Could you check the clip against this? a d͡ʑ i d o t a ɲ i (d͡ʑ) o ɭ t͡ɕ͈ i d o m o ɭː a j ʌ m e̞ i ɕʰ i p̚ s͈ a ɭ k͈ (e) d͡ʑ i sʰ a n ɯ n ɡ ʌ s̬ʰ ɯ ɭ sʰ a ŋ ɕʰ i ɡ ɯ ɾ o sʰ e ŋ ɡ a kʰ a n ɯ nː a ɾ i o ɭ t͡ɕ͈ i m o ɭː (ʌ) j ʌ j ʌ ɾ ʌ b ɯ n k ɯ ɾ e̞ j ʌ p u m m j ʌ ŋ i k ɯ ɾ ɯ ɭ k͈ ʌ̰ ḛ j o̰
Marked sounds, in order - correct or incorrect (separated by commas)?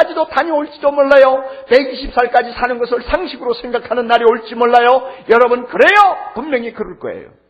incorrect, incorrect, incorrect